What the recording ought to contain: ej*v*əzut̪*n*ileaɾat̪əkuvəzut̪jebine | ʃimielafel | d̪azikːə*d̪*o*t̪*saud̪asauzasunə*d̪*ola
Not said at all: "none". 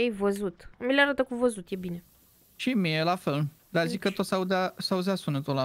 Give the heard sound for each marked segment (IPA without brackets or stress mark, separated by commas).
v, m, t̪, t̪, t̪